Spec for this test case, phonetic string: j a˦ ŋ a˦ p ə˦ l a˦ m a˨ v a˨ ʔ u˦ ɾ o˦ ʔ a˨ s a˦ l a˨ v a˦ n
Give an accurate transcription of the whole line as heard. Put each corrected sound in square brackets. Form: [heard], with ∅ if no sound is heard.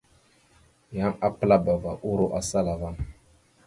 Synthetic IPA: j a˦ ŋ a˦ p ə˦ l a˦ [b] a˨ v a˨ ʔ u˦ ɾ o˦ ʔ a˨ s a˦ l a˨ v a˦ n

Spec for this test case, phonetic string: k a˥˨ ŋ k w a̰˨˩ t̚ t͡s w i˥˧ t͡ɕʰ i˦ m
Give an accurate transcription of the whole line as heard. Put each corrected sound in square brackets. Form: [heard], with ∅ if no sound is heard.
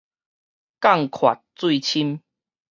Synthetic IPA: k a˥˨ ŋ [kʰ] w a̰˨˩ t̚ t͡s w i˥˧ t͡ɕʰ i˦ m

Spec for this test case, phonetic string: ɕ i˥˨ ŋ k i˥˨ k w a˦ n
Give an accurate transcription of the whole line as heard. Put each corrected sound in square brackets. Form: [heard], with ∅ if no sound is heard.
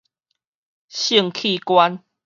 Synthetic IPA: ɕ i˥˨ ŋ [kʰ] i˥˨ k w a˦ n

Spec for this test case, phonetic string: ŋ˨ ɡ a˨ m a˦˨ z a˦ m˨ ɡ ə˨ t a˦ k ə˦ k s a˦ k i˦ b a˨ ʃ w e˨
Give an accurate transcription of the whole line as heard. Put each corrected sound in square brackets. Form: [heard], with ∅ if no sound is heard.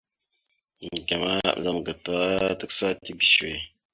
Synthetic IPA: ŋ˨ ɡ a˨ m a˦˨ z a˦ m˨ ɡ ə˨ t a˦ [t] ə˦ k s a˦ [t] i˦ b [i˨] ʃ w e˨

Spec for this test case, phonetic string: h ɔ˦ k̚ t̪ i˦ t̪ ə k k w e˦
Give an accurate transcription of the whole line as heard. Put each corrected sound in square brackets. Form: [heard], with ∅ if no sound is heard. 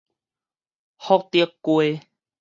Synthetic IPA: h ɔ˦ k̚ t̪ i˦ [∅] ə k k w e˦

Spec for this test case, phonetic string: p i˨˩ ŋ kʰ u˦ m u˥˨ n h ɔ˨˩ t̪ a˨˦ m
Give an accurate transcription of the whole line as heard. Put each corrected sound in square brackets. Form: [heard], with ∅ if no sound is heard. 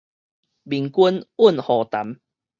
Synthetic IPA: [b] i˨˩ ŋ [k] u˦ [n] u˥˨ n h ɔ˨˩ t̪ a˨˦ m

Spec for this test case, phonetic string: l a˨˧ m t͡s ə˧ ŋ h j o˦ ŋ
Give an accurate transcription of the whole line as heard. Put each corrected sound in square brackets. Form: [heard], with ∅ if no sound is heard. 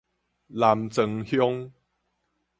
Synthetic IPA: l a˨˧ m t͡s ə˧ ŋ h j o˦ ŋ

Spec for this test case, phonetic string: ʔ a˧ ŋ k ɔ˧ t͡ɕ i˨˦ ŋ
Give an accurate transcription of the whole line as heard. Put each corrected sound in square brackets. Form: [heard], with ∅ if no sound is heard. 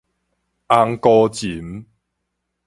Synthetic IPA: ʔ a˧ ŋ k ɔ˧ t͡ɕ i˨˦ [m]

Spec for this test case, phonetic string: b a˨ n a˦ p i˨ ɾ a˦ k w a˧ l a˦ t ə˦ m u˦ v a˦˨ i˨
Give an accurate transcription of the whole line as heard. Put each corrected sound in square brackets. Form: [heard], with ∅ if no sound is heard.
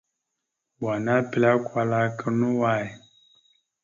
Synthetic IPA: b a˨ n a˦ p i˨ [l] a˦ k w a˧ l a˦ [k] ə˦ [n] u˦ [w] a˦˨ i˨

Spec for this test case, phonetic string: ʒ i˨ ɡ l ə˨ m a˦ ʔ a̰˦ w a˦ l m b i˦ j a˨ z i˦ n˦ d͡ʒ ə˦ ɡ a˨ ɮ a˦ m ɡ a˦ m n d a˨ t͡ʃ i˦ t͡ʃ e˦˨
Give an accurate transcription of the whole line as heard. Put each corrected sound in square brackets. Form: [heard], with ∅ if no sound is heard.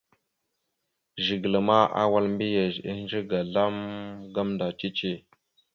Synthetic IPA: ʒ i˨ ɡ l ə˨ m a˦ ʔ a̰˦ w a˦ l m b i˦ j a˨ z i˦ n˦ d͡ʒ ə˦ ɡ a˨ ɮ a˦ m ɡ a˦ m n d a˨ t͡ʃ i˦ t͡ʃ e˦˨

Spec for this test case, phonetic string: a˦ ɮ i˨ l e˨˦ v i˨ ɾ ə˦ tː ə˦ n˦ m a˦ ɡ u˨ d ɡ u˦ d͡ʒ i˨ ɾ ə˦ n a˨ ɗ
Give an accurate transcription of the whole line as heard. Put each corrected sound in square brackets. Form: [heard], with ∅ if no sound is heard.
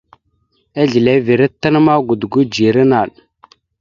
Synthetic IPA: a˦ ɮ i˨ l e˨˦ v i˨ ɾ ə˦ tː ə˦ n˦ m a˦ ɡ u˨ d ɡ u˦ d͡ʒ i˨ ɾ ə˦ n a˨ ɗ

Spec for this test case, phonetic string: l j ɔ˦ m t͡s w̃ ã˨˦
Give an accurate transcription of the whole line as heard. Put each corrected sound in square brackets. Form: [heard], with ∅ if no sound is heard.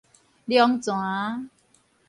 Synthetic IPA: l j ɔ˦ [ŋ] t͡s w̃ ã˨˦

